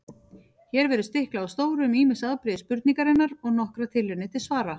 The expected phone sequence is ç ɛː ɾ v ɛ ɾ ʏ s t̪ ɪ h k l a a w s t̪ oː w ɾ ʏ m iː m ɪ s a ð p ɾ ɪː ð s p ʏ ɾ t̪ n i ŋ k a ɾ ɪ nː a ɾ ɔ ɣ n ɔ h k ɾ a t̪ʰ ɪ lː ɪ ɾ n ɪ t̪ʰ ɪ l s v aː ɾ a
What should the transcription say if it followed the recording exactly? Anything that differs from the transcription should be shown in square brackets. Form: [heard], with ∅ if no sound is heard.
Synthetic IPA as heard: ç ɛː ɾ v ɛ ɾ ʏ s t̪ ɪ h k l a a w s t̪ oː w ɾ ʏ m iː m ɪ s a ð p ɾ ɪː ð s p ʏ ɾ t̪ n i ŋ k a ɾ ɪ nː a ɾ ɔ ɣ n ɔ h k ɾ a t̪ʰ ɪ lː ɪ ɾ n ɪ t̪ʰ ɪ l s v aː ɾ a